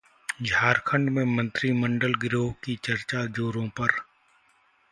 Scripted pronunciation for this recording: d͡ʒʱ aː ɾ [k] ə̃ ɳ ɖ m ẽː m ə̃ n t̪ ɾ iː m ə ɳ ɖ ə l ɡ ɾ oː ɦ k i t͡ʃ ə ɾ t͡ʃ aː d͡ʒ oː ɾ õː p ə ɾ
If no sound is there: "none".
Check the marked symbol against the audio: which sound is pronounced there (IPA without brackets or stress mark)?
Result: kʰ